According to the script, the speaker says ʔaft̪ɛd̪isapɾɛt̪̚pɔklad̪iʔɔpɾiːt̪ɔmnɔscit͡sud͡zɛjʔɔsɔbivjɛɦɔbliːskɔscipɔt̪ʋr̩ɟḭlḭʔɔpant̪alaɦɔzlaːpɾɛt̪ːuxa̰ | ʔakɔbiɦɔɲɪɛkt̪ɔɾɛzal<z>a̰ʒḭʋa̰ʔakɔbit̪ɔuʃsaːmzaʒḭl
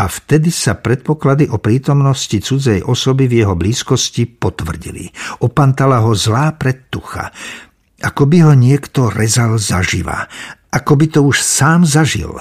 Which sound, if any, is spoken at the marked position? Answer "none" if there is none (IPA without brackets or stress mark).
z